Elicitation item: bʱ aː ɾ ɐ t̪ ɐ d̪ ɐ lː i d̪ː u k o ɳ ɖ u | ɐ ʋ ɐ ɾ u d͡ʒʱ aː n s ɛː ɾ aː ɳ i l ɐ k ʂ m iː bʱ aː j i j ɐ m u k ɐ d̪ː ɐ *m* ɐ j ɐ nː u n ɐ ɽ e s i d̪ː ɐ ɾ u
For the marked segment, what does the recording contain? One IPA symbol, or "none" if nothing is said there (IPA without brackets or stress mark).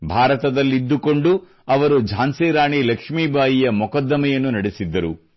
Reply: m